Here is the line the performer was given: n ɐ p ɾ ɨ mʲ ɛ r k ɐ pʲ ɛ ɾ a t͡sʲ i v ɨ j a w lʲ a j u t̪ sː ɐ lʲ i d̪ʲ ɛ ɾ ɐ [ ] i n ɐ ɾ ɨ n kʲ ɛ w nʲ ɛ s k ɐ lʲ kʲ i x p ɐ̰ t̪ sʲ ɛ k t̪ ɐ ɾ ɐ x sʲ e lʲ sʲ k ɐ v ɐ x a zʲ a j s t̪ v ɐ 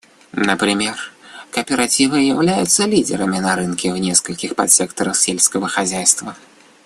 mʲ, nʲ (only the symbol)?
mʲ